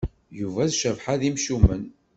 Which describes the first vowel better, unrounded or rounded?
rounded